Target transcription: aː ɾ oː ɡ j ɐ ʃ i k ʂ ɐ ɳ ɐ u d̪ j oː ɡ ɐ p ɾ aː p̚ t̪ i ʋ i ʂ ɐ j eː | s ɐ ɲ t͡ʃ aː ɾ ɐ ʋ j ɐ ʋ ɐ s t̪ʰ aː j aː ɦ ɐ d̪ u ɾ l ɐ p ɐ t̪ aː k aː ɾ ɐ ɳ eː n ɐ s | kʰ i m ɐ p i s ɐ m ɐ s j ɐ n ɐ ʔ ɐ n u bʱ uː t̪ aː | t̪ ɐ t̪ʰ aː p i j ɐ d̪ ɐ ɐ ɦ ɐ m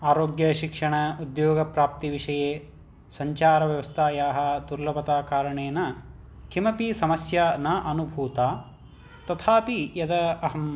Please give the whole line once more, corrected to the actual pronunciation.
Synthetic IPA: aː ɾ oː ɡ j ɐ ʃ i k ʂ ɐ ɳ ɐ u d̪ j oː ɡ ɐ p ɾ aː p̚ t̪ i ʋ i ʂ ɐ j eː | s ɐ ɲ t͡ʃ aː ɾ ɐ ʋ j ɐ ʋ ɐ s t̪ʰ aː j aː ɦ ɐ d̪ u ɾ l ɐ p ɐ t̪ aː k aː ɾ ɐ ɳ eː n ɐ | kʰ i m ɐ p i s ɐ m ɐ s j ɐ n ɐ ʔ ɐ n u bʱ uː t̪ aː | t̪ ɐ t̪ʰ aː p i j ɐ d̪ ɐ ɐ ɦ ɐ m

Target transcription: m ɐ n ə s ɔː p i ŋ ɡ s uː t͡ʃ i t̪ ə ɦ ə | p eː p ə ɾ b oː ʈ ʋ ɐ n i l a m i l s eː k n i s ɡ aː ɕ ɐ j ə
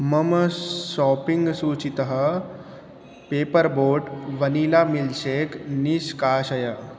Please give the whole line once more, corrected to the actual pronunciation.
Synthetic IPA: m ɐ m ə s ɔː p i ŋ ɡ s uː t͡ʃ i t̪ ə ɦ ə | p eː p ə ɾ b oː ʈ ʋ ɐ n i l a m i l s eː k n i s k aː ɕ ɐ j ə

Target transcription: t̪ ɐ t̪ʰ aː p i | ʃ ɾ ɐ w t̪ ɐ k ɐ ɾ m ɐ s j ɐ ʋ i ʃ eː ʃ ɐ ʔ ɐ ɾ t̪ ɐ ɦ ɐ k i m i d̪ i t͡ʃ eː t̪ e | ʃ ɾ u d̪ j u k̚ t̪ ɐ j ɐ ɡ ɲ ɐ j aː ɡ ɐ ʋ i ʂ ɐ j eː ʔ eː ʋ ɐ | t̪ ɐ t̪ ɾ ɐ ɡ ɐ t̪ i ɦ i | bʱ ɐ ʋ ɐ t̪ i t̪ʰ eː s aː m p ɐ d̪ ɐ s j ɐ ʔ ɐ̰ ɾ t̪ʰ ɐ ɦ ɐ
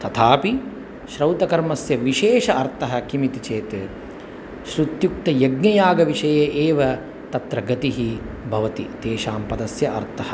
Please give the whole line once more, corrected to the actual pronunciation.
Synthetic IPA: t̪ ɐ t̪ʰ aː p i | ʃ ɾ ɐ w t̪ ɐ k ɐ ɾ m ɐ s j ɐ ʋ i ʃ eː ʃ ɐ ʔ ɐ ɾ t̪ ɐ ɦ ɐ k i m i t̪ i t͡ʃ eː t̪ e | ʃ ɾ u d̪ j u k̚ t̪ ɐ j ɐ ɡ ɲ ɐ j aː ɡ ɐ ʋ i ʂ ɐ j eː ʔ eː ʋ ɐ | t̪ ɐ t̪ ɾ ɐ ɡ ɐ t̪ i ɦ i | bʱ ɐ ʋ ɐ t̪ i t̪ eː ʃ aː m p ɐ d̪ ɐ s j ɐ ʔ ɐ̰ ɾ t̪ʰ ɐ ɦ ɐ

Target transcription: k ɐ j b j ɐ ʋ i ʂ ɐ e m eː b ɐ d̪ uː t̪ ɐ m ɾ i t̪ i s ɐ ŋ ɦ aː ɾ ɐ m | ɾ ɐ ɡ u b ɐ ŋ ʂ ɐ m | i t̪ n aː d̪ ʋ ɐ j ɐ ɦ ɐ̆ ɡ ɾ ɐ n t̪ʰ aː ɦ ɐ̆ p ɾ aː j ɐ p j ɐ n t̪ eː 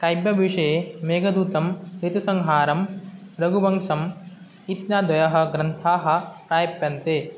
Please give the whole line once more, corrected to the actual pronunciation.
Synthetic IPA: k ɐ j b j ɐ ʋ i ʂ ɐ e m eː ɡ ɐ d̪ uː t̪ ɐ m ɾ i t̪ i s ɐ ŋ ɦ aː ɾ ɐ m | ɾ ɐ ɡ u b ɐ ŋ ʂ ɐ m | i t̪ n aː d̪ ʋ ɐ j ɐ ɦ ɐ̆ ɡ ɾ ɐ n t̪ʰ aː ɦ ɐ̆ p ɾ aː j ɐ p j ɐ n t̪ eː

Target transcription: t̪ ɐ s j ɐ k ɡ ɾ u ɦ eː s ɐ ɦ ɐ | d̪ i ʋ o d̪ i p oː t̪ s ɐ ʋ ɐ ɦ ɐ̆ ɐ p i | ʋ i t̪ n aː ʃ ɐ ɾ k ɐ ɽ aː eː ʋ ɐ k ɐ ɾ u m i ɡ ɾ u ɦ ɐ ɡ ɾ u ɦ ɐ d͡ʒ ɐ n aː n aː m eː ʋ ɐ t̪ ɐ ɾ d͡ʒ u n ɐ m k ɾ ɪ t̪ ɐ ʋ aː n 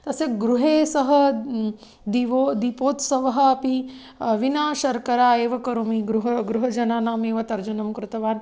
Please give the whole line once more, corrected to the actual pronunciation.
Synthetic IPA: t̪ ɐ s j ɐ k ɡ ɾ u ɦ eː s ɐ ɦ ɐ | d̪ i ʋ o d̪ i p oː t̪ s ɐ ʋ ɐ ɦ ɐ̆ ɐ p i | ʋ i n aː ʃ ɐ ɾ k ɐ ɾ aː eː ʋ ɐ k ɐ ɾ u m i ɡ ɾ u ɦ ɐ ɡ ɾ u ɦ ɐ d͡ʒ ɐ n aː n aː m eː ʋ ɐ t̪ ɐ ɾ d͡ʒ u n ɐ m k ɾ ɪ t̪ ɐ ʋ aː n

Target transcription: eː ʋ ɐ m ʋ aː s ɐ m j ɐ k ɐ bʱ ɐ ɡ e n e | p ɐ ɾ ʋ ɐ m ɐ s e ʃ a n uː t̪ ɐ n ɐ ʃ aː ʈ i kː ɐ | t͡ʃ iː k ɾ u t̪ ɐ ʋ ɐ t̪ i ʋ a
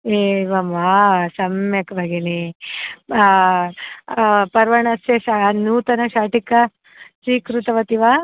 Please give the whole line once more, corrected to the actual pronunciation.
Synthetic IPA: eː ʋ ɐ m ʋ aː s ɐ m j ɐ k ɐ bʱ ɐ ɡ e n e | p ɐ ɾ ʋ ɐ ɳ ɐ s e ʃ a n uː t̪ ɐ n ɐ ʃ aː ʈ i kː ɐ | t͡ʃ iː k ɾ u t̪ ɐ ʋ ɐ t̪ i ʋ a

